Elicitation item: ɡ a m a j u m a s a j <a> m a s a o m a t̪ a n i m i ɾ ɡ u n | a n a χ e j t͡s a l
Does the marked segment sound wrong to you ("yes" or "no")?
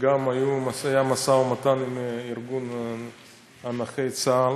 no